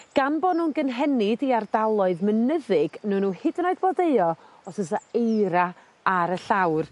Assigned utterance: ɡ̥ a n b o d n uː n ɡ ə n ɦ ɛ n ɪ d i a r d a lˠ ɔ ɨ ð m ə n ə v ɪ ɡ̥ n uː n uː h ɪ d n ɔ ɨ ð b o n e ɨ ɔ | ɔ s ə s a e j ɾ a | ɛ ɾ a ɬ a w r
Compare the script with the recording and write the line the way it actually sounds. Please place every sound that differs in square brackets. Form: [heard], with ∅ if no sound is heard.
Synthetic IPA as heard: ɡ̥ a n b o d n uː n ɡ ə n ɦ ɛ n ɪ d i a r d a lˠ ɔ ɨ ð m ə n ə [ð] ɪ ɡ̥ n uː n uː h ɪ d n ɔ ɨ ð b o [d] e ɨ ɔ | ɔ s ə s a e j ɾ a | [a] ɾ [ə] ɬ a w r